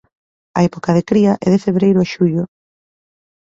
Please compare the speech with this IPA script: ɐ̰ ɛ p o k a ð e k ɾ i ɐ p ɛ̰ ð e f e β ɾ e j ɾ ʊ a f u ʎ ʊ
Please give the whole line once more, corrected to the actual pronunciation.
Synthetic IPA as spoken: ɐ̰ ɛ p o k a ð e k ɾ i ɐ ʔ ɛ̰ ð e f e β ɾ e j ɾ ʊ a ʃ u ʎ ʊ